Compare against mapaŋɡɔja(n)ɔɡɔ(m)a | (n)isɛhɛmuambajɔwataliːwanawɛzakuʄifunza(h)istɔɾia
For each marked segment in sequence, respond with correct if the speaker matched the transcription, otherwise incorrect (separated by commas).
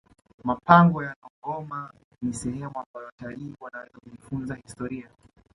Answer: correct, correct, correct, correct